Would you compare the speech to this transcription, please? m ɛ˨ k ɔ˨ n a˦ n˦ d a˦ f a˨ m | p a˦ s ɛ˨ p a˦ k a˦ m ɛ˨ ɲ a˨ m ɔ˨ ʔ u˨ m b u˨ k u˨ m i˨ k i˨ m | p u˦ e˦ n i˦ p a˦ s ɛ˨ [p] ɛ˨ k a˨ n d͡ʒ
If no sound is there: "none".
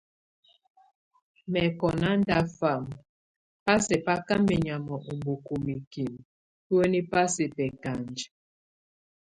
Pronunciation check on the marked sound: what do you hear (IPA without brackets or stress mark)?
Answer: p